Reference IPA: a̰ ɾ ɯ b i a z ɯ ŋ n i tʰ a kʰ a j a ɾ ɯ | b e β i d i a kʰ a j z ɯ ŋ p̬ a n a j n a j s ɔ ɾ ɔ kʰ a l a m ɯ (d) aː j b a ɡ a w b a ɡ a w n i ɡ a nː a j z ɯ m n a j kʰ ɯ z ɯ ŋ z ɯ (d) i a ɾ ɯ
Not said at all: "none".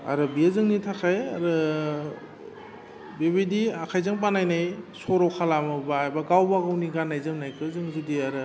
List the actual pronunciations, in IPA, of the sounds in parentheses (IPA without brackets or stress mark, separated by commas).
b, d